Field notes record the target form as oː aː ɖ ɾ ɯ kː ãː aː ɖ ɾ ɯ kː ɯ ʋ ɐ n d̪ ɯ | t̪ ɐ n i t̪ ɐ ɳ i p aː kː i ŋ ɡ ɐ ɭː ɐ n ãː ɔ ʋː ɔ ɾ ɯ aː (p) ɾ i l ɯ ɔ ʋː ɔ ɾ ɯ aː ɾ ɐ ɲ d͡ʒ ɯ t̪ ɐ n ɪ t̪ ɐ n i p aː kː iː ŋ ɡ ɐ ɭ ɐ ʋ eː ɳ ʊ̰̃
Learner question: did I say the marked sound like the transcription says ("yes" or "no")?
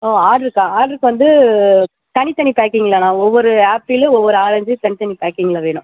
yes